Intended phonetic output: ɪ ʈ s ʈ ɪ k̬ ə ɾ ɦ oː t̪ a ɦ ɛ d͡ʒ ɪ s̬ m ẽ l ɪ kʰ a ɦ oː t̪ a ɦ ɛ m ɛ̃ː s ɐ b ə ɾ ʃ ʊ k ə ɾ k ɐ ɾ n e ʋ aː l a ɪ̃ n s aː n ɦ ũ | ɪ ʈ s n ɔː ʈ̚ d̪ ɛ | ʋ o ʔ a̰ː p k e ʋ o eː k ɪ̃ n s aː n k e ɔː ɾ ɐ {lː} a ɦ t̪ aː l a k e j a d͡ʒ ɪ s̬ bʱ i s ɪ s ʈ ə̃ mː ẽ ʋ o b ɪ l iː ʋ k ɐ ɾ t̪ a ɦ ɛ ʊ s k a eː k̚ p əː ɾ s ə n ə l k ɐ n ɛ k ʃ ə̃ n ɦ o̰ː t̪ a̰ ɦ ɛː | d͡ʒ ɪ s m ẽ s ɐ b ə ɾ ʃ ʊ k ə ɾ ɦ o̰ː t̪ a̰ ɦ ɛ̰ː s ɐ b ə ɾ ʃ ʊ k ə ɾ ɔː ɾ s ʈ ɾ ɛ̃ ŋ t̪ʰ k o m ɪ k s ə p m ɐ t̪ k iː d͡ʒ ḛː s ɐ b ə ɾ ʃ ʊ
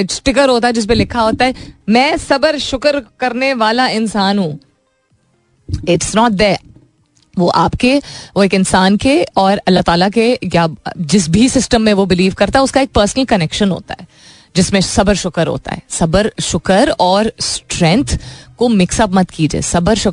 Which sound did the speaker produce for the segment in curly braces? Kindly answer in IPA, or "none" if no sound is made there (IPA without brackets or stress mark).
lː